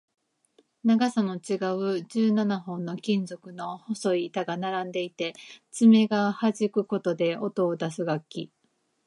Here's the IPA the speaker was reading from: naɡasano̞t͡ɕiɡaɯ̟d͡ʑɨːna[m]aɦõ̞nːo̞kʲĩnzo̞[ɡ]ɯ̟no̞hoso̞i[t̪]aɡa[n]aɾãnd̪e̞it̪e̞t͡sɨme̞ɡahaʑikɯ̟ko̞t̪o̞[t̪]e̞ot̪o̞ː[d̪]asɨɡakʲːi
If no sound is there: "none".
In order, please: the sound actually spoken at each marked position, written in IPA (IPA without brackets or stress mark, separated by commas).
n, k, t̪, n, d̪, d̪